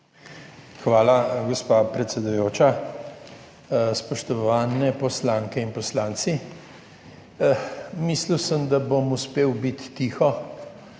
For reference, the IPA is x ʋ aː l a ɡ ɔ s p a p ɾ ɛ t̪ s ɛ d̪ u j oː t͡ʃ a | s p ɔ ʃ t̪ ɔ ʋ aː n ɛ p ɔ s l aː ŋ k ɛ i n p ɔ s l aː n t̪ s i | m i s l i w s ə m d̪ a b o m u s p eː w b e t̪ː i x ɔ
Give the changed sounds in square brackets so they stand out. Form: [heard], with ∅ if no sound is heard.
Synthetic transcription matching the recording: x ʋ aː l a ɡ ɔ s p a p ɾ ɛ t̪ s ɛ d̪ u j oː t͡ʃ a | s p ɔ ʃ t̪ ɔ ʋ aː n ɛ p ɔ s l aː ŋ k ɛ i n p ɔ s l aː n t̪ s i | m i s l i w s ə m d̪ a b o m u s p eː w b [i] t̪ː i x ɔ